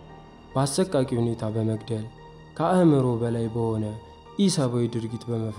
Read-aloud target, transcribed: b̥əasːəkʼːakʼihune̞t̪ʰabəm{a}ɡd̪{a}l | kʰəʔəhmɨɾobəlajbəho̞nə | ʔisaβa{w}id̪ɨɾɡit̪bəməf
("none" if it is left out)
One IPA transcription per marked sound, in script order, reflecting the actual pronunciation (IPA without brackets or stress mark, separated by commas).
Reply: ə, ə, w